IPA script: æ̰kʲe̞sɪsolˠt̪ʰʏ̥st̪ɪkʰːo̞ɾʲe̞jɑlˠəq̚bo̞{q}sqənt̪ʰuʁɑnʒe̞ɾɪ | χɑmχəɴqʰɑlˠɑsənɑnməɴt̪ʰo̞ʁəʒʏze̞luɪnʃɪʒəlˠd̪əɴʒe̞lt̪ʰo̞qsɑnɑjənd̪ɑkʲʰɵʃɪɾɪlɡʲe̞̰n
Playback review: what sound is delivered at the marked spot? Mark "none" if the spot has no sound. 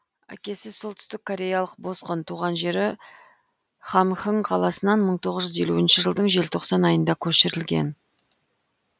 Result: none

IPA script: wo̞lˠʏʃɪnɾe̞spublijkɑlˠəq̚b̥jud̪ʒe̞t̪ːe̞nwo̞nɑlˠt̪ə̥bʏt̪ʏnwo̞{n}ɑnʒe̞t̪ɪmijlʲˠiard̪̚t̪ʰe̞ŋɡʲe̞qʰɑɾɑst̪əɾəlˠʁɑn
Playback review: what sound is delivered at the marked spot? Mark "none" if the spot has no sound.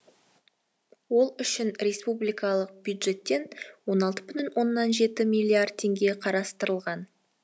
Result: nː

